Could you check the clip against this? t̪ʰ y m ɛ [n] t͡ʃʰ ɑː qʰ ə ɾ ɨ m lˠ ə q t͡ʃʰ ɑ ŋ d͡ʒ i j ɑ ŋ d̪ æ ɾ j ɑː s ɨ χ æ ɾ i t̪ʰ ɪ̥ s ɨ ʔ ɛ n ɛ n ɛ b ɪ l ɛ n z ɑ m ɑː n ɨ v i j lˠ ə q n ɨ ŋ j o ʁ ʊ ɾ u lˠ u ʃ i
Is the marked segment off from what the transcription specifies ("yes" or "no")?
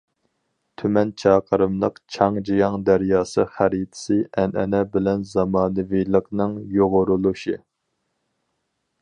no